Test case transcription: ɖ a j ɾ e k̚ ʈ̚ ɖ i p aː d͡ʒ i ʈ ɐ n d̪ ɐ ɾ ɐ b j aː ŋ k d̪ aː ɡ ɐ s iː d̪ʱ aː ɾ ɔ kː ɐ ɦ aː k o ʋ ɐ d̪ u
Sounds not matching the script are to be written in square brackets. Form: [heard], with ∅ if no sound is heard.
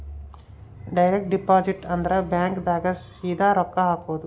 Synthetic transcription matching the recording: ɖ [ɐ] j ɾ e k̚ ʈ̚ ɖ i p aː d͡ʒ i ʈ ɐ n d̪ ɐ ɾ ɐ b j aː ŋ k d̪ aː ɡ ɐ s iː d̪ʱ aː ɾ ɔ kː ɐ ɦ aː k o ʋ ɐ d̪ u